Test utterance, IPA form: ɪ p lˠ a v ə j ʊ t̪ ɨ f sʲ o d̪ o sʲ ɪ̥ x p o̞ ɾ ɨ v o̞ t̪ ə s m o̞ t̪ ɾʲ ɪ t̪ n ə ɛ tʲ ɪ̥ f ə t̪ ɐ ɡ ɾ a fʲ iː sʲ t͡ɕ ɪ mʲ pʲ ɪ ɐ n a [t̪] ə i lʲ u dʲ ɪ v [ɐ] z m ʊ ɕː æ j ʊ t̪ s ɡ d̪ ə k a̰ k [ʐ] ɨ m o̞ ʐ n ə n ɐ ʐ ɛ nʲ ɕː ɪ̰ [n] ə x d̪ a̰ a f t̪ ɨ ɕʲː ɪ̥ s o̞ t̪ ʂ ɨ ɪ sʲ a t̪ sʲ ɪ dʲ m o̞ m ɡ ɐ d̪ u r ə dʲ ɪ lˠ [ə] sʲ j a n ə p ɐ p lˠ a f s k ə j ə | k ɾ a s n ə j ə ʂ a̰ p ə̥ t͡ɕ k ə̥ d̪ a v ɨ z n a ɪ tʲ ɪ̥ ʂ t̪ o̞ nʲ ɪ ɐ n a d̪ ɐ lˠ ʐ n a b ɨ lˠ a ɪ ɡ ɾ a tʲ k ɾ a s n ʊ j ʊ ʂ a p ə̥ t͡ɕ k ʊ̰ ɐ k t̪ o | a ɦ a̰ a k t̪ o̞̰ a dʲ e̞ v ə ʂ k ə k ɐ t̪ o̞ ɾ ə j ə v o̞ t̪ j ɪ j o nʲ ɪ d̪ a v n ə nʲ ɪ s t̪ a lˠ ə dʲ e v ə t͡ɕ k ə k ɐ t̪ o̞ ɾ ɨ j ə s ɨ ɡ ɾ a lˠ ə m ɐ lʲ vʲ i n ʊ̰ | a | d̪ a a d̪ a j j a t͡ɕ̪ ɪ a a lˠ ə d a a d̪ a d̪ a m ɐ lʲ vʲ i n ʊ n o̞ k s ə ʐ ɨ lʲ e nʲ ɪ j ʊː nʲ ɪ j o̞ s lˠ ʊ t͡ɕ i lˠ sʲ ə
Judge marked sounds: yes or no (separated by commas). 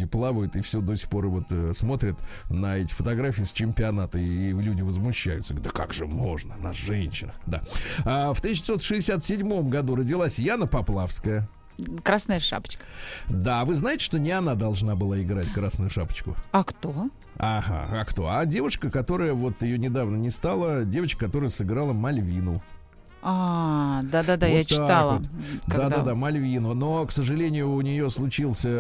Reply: yes, no, yes, yes, no